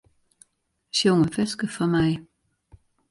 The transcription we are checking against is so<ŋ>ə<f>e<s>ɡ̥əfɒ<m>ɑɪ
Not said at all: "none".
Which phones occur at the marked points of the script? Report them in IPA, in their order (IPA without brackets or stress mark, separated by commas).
ŋ, f, s, m